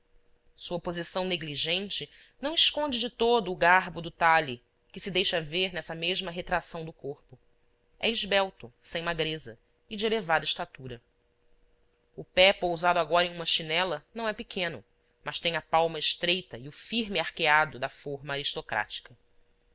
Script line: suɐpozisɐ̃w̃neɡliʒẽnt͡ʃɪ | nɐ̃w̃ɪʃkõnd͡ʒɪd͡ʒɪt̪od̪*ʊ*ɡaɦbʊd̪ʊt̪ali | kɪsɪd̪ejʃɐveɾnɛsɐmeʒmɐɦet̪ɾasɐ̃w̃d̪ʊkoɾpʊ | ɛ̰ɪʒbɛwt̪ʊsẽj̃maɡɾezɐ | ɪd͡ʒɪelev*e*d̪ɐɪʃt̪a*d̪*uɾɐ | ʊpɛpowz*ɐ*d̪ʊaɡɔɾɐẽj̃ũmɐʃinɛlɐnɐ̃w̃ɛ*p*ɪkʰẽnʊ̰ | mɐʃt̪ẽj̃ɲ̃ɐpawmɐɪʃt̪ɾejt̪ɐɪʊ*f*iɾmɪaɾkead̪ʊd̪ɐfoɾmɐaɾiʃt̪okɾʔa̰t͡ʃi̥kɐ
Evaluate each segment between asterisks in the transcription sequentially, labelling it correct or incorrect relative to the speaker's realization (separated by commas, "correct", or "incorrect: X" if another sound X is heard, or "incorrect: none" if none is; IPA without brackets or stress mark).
incorrect: ʊː, incorrect: a, incorrect: t̪, incorrect: a, correct, correct